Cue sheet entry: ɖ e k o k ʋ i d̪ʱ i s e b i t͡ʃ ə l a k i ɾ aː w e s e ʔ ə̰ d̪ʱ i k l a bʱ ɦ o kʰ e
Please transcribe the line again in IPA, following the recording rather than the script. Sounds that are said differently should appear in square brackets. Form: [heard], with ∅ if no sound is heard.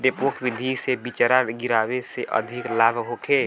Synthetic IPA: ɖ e [p] o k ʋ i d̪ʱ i s e b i t͡ʃ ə [ɾ] a [ɡ] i ɾ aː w e s e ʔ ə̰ d̪ʱ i k l a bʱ ɦ o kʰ e

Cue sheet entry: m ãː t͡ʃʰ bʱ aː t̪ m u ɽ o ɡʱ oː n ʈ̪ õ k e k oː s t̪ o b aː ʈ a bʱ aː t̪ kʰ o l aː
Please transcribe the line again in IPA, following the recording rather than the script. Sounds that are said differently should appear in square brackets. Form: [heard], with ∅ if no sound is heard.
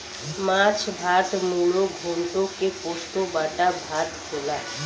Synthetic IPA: m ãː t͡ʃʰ bʱ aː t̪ m u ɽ o ɡʱ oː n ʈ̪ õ k e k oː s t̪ o b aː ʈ a bʱ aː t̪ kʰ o l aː

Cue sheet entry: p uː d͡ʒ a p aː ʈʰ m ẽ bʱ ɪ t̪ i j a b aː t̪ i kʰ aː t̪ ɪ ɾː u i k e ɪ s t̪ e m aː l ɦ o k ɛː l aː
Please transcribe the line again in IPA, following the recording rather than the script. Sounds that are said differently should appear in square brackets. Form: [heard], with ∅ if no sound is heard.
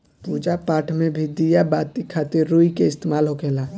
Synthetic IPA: p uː d͡ʒ a p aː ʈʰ m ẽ bʱ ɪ [d̪] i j a b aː t̪ i kʰ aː t̪ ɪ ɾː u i k e ɪ s t̪ e m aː l ɦ o k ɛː l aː

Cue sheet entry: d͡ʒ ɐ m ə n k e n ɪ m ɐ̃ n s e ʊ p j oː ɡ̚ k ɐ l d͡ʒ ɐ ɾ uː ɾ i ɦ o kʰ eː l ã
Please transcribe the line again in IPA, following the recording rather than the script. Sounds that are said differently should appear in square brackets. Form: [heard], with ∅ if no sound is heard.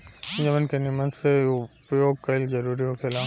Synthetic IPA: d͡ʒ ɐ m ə n k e n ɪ m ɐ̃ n s e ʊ p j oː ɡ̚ k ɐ l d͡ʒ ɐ ɾ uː ɾ i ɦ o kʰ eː l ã

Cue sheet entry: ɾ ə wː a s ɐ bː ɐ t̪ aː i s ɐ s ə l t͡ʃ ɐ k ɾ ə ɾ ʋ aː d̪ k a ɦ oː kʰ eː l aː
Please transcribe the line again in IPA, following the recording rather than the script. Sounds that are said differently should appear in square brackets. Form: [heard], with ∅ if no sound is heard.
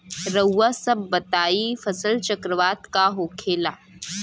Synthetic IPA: ɾ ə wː a s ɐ bː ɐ t̪ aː i [f] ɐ s ə l t͡ʃ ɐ k ɾ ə [∅] ʋ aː [t̪] k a ɦ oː kʰ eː l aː

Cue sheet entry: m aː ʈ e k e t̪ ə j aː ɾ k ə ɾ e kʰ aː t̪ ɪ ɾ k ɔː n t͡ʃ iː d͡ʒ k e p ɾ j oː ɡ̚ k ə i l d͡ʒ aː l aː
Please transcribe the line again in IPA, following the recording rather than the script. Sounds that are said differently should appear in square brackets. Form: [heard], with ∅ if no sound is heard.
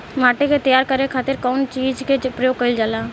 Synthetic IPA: m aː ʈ e k e t̪ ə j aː ɾ k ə ɾ e kʰ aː t̪ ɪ ɾ k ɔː n t͡ʃ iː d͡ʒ k e p ɾ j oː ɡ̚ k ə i l d͡ʒ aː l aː

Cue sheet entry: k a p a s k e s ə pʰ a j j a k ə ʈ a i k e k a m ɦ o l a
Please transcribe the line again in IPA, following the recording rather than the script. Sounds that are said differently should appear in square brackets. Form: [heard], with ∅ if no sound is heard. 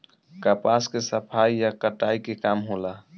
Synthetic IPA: k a p a s k e s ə pʰ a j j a k ə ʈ a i k e k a m ɦ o l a

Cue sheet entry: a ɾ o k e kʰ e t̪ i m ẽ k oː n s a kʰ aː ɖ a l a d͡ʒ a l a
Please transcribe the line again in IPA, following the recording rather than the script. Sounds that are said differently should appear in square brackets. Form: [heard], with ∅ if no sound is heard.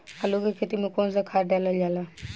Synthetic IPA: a [l] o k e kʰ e t̪ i m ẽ k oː n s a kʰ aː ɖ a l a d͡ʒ a l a

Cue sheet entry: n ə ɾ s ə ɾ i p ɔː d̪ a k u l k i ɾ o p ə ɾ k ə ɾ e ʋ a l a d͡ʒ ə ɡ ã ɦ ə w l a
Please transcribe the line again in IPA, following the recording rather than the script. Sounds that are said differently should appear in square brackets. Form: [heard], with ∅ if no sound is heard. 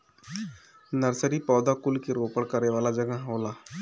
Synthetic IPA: n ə ɾ s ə ɾ i p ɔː d̪ a k u l k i ɾ o p ə [ɽ] k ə ɾ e ʋ a l a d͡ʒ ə ɡ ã ɦ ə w l a

